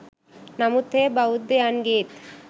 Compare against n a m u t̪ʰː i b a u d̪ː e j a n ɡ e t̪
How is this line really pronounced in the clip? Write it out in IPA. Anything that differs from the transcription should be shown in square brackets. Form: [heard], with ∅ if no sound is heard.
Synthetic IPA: n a m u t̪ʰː [e] b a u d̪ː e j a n ɡ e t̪